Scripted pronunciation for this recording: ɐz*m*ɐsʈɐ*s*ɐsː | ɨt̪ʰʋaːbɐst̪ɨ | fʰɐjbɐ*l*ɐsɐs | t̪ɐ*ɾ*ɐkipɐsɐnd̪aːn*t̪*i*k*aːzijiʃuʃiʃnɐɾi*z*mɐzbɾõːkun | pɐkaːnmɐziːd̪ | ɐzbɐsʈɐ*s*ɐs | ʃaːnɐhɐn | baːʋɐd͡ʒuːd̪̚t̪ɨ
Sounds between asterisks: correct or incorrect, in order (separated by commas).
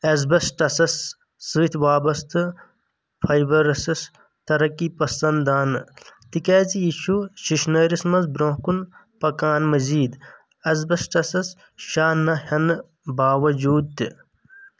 incorrect, correct, incorrect, correct, correct, correct, incorrect, correct